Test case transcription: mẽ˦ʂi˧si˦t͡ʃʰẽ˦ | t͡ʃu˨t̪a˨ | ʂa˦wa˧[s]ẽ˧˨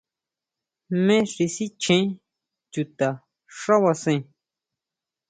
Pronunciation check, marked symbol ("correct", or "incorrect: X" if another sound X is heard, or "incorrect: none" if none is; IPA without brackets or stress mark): correct